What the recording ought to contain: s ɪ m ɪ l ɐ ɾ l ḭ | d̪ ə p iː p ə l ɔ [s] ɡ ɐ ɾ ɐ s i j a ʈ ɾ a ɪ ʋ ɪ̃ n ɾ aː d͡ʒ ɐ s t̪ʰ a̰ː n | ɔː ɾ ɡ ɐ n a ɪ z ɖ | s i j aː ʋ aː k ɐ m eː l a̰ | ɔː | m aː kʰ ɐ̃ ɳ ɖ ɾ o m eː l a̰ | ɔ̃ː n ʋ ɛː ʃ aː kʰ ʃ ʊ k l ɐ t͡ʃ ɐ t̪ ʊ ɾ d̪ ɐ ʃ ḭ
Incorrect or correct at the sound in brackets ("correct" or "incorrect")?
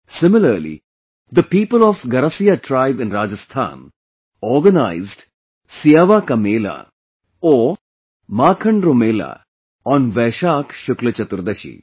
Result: incorrect